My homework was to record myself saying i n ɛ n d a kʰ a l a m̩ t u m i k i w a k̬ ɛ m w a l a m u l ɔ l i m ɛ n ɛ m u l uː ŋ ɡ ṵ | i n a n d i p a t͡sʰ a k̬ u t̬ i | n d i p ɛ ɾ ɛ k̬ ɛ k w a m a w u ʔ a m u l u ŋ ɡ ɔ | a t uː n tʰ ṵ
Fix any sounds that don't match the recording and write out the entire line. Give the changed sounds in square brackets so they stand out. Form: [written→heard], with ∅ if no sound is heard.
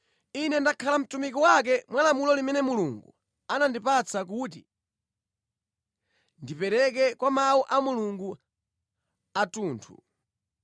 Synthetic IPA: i n ɛ n d a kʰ a l a m̩ t u m i k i w a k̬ ɛ m w a l a m u l ɔ l i m ɛ n ɛ m u l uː ŋ ɡ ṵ | [i→a] n a n d i p a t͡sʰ a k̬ u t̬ i | n d i p ɛ ɾ ɛ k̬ ɛ k w a m a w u ʔ a m u l u ŋ ɡ [ɔ→u] | a t uː n tʰ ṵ